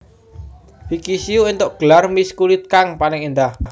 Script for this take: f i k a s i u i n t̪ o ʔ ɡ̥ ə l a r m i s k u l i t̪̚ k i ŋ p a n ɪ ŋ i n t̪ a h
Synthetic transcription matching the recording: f i k i s i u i n t̪ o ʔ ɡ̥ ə l a r m i s k u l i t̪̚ k a ŋ p a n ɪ ŋ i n d̪ a h